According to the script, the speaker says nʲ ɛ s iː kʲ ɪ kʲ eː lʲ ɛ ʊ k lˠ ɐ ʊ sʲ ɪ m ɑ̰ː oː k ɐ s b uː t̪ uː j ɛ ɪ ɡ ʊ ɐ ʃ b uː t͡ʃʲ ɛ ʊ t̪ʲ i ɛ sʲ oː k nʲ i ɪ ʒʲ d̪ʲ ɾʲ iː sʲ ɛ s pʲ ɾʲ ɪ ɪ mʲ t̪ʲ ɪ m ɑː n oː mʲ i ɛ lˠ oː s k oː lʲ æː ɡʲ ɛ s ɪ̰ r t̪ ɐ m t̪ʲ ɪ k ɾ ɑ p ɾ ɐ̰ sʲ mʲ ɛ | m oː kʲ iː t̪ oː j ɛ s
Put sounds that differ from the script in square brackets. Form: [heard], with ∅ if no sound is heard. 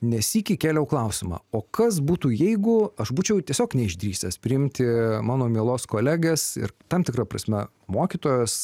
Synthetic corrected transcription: nʲ ɛ s iː kʲ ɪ kʲ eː lʲ ɛ ʊ k lˠ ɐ ʊ sʲ ɪ m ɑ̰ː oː k ɐ s b uː t̪ uː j ɛ ɪ ɡ ʊ ɐ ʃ b uː t͡ʃʲ ɛ ʊ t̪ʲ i ɛ sʲ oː k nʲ [ɛ] ɪ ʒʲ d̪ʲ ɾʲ iː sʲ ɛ s pʲ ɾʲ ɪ ɪ mʲ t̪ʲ ɪ m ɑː n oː mʲ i ɛ lˠ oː s k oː lʲ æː ɡʲ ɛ s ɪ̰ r t̪ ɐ m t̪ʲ ɪ k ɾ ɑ p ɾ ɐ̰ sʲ mʲ ɛ | m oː kʲ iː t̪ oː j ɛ s